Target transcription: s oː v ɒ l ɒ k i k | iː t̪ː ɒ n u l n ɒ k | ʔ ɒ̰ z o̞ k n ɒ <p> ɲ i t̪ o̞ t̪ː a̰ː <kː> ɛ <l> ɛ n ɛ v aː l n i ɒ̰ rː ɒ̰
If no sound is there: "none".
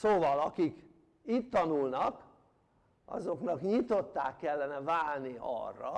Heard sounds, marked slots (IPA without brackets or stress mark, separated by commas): k, kː, lː